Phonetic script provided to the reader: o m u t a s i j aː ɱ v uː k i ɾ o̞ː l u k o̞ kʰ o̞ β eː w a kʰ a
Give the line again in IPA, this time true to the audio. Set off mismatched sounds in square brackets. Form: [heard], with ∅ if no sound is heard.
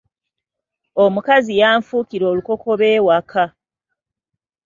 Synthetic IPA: o m u [k] a [z] i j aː ɱ [f] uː k i ɾ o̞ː l u k o̞ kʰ o̞ β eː w a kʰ a